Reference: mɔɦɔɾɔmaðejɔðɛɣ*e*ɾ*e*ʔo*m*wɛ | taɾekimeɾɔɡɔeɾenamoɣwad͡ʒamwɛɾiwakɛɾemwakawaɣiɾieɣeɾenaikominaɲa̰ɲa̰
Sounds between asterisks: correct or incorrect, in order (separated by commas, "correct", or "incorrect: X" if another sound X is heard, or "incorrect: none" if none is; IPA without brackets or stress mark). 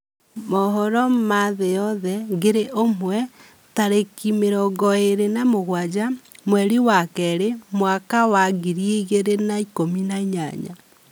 correct, correct, correct